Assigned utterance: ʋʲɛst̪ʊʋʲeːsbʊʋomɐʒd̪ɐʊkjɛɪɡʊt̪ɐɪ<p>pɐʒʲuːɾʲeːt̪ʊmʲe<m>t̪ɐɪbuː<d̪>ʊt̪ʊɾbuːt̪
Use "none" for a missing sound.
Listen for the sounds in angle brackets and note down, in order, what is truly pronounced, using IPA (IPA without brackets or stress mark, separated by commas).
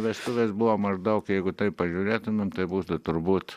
p, m, t̪